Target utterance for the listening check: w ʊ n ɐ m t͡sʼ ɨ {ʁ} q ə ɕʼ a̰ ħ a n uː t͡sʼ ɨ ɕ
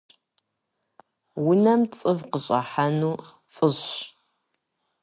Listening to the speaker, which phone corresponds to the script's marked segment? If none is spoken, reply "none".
v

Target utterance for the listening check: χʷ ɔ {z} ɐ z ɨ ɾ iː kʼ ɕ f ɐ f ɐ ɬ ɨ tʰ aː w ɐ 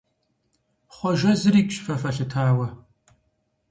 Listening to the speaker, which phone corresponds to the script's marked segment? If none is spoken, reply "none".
ʒ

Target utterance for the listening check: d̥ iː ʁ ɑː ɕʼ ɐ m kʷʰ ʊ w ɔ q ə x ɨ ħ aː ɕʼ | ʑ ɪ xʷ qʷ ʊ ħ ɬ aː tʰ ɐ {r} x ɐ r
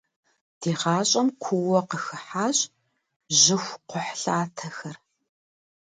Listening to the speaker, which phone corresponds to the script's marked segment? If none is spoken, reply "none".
none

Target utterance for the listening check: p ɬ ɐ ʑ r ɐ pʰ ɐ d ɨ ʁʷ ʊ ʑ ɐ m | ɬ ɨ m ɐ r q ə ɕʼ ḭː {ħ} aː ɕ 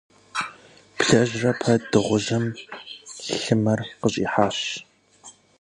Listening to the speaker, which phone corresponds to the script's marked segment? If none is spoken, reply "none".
ħ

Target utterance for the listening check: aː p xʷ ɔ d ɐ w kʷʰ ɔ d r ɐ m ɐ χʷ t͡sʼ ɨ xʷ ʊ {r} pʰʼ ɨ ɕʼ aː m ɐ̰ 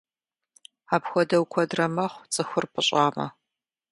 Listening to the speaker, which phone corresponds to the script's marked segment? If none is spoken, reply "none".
r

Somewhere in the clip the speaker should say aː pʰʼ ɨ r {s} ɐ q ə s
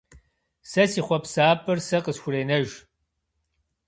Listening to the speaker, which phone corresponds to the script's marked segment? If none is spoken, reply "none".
s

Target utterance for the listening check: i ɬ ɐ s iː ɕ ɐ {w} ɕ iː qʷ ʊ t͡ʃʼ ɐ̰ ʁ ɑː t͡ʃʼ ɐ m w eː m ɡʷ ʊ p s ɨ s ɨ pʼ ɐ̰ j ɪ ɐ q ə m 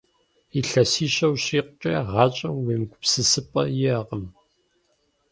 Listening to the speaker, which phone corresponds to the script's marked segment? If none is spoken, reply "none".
w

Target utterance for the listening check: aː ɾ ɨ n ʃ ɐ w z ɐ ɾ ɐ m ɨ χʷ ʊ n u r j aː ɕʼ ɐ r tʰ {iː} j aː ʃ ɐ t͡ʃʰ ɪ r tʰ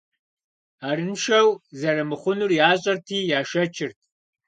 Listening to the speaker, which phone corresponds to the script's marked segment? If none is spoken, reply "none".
iː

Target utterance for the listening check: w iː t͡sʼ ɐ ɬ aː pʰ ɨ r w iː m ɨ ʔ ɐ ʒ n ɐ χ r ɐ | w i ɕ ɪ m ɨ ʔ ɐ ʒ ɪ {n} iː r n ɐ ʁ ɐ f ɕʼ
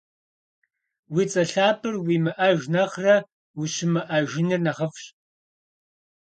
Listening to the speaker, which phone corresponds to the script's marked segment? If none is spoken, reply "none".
n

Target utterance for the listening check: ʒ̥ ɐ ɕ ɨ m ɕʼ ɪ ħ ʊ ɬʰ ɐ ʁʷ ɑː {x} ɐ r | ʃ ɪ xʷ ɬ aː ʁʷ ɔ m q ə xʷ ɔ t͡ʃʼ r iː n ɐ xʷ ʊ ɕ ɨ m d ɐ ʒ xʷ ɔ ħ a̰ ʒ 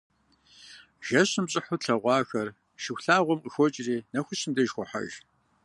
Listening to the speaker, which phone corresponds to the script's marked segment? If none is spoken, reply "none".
x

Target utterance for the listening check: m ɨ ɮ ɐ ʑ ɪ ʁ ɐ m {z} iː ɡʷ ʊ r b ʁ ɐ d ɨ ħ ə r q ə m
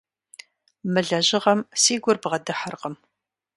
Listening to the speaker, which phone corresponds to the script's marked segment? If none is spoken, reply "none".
s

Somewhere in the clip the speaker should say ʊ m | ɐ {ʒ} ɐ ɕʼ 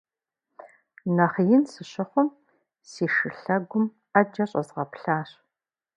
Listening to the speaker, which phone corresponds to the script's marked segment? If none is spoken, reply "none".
d͡ʒ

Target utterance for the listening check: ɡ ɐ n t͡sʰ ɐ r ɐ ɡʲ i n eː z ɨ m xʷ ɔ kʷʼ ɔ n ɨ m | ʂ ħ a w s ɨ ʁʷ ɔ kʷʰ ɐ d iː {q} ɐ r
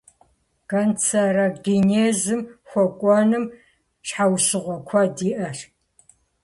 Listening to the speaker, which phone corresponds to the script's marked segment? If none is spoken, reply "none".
ʔ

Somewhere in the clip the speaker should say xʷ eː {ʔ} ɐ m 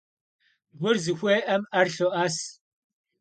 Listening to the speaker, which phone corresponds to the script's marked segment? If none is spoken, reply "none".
ʔ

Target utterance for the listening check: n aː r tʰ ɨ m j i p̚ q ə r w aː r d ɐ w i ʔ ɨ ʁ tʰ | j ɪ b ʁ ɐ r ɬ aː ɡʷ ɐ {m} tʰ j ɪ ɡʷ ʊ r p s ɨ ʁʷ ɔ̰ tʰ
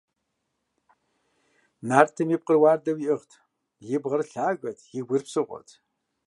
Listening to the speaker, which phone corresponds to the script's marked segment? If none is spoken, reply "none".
none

